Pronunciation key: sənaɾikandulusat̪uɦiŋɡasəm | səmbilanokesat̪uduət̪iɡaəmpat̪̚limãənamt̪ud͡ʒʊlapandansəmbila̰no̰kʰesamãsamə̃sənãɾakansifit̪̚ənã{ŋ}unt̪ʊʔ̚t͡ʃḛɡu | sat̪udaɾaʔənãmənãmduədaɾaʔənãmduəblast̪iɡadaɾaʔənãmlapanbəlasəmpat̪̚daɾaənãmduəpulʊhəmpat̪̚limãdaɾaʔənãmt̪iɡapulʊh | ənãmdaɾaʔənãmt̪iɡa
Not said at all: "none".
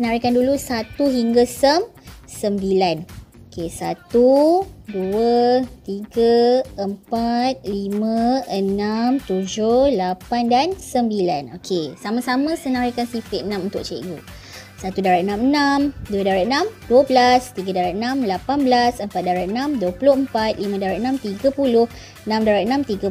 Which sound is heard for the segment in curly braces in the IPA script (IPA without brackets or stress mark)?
m